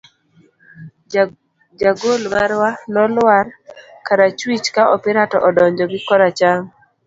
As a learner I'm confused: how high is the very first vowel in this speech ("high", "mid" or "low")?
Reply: low